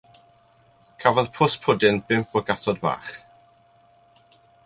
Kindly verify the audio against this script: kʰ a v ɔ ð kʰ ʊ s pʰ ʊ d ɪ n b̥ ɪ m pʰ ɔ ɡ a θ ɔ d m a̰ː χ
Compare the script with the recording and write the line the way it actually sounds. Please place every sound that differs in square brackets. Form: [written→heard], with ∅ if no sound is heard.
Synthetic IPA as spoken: kʰ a v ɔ ð [kʰ→pʰ] ʊ s pʰ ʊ d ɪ n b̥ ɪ m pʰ ɔ ɡ a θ ɔ d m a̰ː χ